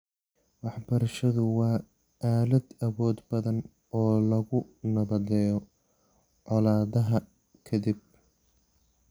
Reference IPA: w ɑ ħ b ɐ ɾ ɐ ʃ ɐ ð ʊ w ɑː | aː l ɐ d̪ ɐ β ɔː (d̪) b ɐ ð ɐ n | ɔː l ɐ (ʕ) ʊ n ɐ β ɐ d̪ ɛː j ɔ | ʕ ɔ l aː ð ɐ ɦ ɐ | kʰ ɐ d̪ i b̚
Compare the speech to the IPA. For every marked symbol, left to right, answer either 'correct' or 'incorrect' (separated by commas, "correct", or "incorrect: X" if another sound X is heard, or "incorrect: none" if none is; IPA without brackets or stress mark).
correct, incorrect: ɣ